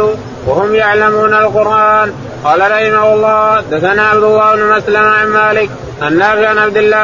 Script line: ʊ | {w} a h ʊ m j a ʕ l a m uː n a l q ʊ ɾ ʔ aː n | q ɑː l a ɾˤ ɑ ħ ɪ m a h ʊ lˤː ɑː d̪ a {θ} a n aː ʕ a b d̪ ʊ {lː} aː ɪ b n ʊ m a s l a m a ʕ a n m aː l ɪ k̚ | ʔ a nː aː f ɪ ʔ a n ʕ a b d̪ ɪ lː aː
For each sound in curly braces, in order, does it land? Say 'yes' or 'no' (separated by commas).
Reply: yes, yes, yes